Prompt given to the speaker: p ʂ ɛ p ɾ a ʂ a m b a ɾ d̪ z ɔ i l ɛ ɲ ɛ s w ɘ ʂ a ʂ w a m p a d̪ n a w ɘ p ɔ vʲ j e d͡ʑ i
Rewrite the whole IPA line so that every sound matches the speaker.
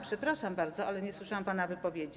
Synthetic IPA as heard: p ʂ ɛ p ɾ a ʂ a m b a ɾ d̪ z ɔ a l ɛ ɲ ɛ s w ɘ ʂ a w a m p a n a v ɘ p ɔ vʲ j e d͡ʑ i

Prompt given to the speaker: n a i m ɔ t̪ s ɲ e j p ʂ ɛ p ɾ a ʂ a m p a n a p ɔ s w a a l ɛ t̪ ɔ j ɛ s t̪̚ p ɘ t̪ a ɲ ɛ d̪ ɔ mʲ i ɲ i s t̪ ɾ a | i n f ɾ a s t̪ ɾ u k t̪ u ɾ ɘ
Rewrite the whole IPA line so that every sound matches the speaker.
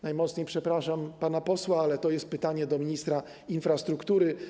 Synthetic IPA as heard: n a j m ɔ t̪ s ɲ e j p ʂ ɛ p ɾ a ʂ a m p a n a p ɔ s w a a l ɛ t̪ ɔ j ɛ s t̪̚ p ɘ t̪ a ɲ ɛ d̪ ɔ mʲ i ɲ i s t̪ ɾ a | i n f ɾ a s t̪ ɾ u k t̪ u ɾ ɘ

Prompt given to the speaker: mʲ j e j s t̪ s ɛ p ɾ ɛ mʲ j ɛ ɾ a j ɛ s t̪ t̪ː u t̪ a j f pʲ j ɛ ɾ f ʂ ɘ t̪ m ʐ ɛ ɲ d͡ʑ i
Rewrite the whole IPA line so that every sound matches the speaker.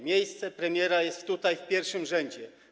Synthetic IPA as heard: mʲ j e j s t̪ s ɛ p ɾ ɛ mʲ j ɛ ɾ a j ɛ s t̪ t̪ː u t̪ a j f pʲ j ɛ ɾ f ʂ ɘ m ʐ ɛ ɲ d͡ʑ ɛ

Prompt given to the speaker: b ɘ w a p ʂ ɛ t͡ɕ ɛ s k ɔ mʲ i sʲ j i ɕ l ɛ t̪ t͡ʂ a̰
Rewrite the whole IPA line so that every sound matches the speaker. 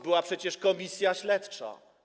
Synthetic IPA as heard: b ɘ w a p ʂ ɛ t͡ɕ ɛ ʂ k ɔ mʲ i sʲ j a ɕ l ɛ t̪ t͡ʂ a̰

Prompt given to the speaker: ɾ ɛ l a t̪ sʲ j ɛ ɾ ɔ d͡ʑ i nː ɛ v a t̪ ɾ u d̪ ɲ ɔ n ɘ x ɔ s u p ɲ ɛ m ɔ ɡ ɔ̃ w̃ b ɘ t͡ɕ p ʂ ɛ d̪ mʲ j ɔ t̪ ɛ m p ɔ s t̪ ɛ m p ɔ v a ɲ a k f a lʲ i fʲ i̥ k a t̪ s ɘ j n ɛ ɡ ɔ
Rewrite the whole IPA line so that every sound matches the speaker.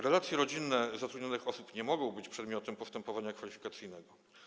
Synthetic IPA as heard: ɾ ɛ l a t̪ sʲ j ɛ ɾ ɔ d͡ʑ i nː ɛ z a t̪ ɾ u d̪ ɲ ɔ n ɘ x ɔ s u p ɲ ɛ m ɔ ɡ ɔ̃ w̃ b ɘ t͡ɕ p ʂ ɛ d̪ mʲ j ɔ t̪ ɛ m p ɔ s t̪ ɛ m p ɔ v a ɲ a k f a lʲ i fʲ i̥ k a t̪ s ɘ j n ɛ ɡ ɔ

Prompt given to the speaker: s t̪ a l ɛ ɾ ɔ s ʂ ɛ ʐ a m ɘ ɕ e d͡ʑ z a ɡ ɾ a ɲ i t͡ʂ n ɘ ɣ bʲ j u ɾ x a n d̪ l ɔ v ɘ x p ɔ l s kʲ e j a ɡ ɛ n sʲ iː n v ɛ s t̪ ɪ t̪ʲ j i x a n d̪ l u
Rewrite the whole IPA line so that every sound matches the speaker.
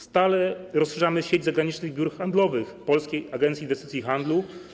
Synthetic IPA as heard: s t̪ a l ɛ ɾ ɔ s ʂ ɛ ʐ a m ɘ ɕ e d͡ʑ z a ɡ ɾ a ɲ i t͡ʂ n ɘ ɣ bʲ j u ɾ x a n d̪ l ɔ v ɘ x p ɔ l s kʲ e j a ɡ ɛ n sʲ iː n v ɛ s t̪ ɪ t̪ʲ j i x a n d̪ l u

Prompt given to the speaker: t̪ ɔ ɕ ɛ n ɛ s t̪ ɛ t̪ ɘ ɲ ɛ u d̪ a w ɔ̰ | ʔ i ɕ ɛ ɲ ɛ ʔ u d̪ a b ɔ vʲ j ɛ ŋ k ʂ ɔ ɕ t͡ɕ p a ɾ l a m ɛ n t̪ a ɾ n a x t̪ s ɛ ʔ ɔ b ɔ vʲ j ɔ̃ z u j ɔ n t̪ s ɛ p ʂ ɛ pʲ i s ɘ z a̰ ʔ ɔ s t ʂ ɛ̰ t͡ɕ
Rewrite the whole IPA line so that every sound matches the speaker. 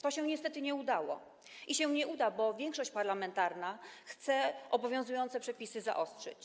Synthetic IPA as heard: t̪ ɔ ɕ ɛ ɲ ɛ s t̪ ɛ t̪ ɘ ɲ ɛ u d̪ a w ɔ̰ | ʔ i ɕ ɛ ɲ ɛ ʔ u d̪ a b ɔ vʲ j ɛ ŋ k ʂ ɔ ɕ t͡ɕ p a ɾ l a m ɛ n t̪ a ɾ n a x t̪ s ɛ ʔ ɔ b ɔ vʲ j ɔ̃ z u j ɔ n t̪ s ɛ p ʂ ɛ pʲ i s ɘ z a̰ ʔ ɔ s t ʂ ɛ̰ t͡ɕ

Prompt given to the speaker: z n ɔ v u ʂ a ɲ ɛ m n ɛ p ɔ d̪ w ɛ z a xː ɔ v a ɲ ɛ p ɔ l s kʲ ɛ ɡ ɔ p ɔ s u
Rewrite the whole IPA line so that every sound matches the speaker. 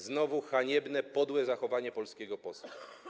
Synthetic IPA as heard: z n ɔ v u x a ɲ ɛ b n ɛ p ɔ d̪ w ɛ z a x ɔ v a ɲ ɛ p ɔ l s kʲ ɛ ɡ ɔ p ɔ s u

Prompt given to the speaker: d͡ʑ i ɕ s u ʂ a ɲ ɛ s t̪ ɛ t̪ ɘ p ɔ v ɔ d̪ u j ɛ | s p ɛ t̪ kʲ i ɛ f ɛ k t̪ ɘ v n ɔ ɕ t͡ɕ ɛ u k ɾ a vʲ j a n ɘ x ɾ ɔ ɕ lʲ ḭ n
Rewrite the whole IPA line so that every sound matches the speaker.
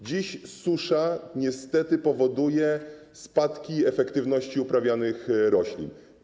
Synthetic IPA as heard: d͡ʑ i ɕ s u ʂ a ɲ ɛ s t̪ ɛ t̪ ɘ p ɔ v ɔ d̪ u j ɛ | s p a t̪ kʲ i ɛ f ɛ k t̪ ɘ v n ɔ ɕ t͡ɕ i u p ɾ a vʲ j a n ɘ x ɾ ɔ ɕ lʲ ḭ n

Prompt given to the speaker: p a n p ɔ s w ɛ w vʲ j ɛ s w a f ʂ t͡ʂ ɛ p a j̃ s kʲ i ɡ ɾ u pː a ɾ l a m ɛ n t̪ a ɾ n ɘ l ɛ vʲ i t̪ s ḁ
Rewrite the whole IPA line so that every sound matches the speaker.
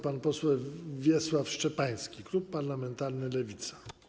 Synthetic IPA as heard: p a n p ɔ s w ɛ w vʲ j ɛ s w a f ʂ t͡ʂ ɛ p a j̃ s kʲ i k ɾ u pː a ɾ l a m ɛ n t̪ a ɾ n ɘ l ɛ vʲ i t̪ s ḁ

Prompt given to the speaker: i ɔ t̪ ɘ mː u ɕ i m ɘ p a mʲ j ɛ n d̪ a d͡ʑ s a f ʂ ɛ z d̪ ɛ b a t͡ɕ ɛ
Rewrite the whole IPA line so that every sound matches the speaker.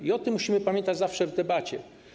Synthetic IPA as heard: i ɔ t̪ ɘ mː u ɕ i m ɘ p a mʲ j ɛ n t̪ a d͡ʑ z a f ʂ ɛ v d̪ ɛ b a t͡ɕ ɛ

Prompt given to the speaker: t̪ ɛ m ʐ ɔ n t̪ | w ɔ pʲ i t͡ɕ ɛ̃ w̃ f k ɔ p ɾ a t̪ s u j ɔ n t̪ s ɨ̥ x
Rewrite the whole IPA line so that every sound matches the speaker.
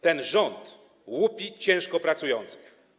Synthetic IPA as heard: t̪ ɛ n ʐ ɔ n t̪ | w u pʲ i t͡ɕ ɛ̃ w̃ ʂ k ɔ p ɾ a t̪ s u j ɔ n t̪ s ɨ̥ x

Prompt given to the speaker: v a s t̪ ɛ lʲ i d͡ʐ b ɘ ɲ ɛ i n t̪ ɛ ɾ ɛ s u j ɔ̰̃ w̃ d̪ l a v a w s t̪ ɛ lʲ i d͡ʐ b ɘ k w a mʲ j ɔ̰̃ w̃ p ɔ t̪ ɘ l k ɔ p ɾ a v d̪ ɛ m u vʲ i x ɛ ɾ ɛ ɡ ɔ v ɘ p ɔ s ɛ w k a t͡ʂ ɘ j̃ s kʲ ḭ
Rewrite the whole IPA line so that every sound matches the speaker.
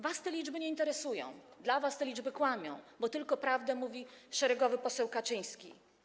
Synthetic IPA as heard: v a s t̪ ɛ lʲ i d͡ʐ b ɘ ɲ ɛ i n t̪ ɛ ɾ ɛ s u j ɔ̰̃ w̃ d̪ l a v a s t̪ ɛ lʲ i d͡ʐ b ɘ k w a mʲ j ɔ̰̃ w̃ b ɔ t̪ ɘ l k ɔ p ɾ a v d̪ ɛ m u vʲ i ʂ ɛ ɾ ɛ ɡ ɔ v ɘ p ɔ s ɛ w k a t͡ʂ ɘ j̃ s kʲ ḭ

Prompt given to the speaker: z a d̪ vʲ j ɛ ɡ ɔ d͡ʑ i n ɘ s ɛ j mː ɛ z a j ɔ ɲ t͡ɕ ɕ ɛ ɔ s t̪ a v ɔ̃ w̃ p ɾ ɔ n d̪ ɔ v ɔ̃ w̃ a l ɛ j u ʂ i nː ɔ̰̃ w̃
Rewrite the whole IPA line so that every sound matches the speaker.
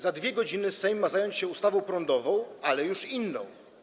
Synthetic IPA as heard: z a d̪ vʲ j ɛ ɡ ɔ d͡ʑ i n ɘ s ɛ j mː a z a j ɔ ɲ t͡ɕ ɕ ɛ u s t̪ a v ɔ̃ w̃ p ɾ ɔ n d̪ ɔ v ɔ̃ w̃ a l ɛ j u ʂ i nː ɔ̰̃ w̃

